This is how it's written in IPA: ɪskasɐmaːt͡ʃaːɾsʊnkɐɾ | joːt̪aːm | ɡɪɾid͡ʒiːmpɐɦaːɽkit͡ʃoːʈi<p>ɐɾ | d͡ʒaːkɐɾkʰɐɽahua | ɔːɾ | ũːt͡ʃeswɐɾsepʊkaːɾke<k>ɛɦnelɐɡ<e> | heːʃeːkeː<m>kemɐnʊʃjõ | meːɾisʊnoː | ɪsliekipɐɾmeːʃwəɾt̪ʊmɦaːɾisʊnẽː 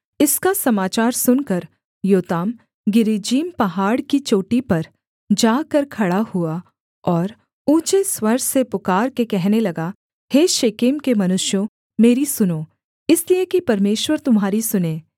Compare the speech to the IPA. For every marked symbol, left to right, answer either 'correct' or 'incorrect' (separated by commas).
correct, correct, incorrect, correct